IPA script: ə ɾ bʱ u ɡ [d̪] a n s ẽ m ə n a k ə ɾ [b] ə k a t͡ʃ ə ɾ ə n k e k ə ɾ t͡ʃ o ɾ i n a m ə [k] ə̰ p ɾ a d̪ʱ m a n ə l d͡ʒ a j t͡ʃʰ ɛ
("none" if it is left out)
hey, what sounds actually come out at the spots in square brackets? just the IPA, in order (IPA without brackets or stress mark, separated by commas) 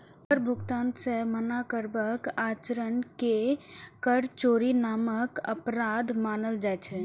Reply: t̪, b, k